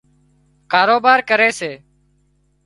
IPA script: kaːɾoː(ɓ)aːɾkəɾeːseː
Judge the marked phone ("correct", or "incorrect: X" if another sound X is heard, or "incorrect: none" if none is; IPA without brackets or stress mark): incorrect: b